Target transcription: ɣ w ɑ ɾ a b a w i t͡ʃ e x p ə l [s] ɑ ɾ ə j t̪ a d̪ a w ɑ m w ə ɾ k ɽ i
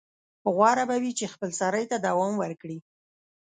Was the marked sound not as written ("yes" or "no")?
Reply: no